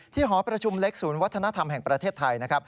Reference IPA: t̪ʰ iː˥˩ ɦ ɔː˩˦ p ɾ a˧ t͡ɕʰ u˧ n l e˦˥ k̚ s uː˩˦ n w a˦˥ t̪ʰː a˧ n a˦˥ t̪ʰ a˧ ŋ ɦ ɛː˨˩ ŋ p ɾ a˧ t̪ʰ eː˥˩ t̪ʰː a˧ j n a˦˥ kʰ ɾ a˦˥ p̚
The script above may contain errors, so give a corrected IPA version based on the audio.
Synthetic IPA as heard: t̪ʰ iː˥˩ ɦ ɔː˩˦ p ɾ a˧ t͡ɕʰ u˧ m l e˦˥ k̚ s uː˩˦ n w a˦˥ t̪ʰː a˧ n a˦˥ t̪ʰ a˧ m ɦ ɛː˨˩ ŋ p ɾ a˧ t̪ʰ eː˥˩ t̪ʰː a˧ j n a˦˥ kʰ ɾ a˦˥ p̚